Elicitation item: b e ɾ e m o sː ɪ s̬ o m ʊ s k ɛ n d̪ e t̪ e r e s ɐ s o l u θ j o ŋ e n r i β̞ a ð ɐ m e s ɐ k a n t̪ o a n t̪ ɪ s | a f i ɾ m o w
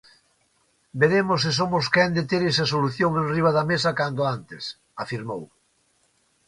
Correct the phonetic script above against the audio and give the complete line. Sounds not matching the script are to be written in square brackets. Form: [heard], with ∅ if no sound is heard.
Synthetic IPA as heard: b e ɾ e m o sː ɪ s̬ o m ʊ s k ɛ n d̪ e t̪ e [ɾ] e s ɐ s o l u θ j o ŋ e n r i β̞ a ð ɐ m e s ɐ k a n [d̪] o a n t̪ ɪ s | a f i ɾ m o w

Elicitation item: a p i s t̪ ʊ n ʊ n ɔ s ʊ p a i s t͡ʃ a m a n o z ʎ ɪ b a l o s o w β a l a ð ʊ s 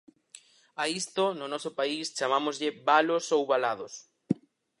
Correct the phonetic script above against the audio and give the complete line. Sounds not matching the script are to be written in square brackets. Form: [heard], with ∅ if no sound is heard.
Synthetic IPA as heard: a [∅] i s t̪ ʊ n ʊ n ɔ s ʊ p a i s t͡ʃ a m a [m] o z ʎ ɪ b a l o s o w β a l a ð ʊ s

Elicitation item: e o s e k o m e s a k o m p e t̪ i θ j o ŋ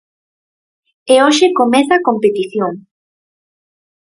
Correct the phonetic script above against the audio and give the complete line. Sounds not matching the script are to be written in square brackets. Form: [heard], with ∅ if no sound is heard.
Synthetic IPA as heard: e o [ʃ] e k o m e [θ] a k o m p e t̪ i θ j o ŋ

